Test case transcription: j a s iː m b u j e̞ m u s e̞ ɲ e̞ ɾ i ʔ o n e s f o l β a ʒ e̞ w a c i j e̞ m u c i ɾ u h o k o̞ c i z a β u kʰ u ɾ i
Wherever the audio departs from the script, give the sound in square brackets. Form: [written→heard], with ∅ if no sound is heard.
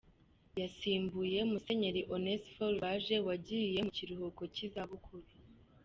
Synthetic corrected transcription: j a s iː m b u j e̞ m u s e̞ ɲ e̞ ɾ i ʔ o n e s f o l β a ʒ e̞ w a [c→ɟ] i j e̞ m u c i ɾ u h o k o̞ c i z a β u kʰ u ɾ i